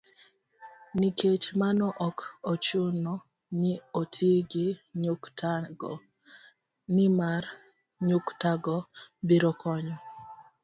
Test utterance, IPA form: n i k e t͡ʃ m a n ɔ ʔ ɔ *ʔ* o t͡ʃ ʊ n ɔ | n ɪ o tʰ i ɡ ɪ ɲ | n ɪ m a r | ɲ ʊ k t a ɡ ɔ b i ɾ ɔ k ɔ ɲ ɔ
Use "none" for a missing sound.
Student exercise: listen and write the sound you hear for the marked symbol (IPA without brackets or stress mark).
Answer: k